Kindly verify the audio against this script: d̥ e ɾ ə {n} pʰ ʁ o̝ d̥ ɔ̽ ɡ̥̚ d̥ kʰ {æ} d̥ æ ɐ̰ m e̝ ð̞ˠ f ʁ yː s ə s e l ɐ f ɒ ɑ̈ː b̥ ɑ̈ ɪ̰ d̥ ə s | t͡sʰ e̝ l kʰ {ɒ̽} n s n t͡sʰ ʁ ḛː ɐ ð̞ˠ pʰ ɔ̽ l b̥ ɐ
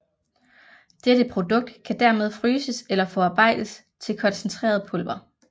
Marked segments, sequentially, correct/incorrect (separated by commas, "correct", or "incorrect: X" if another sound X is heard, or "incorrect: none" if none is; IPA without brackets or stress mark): incorrect: none, correct, correct